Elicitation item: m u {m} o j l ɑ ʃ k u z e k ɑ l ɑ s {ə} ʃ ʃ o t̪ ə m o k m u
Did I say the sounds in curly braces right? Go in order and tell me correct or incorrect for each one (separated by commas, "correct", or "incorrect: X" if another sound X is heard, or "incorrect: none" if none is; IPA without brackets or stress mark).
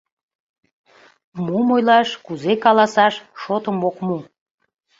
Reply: correct, incorrect: ɑ